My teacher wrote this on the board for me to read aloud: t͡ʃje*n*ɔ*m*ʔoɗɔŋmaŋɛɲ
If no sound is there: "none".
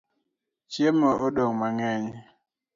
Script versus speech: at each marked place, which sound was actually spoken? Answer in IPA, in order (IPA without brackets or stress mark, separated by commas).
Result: m, none